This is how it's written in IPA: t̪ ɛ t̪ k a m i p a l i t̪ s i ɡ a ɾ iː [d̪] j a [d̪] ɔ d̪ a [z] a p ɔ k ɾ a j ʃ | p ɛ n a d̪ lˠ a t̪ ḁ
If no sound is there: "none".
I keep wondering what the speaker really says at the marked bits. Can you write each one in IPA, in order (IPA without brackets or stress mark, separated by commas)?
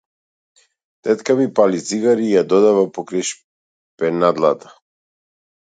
none, d̪, v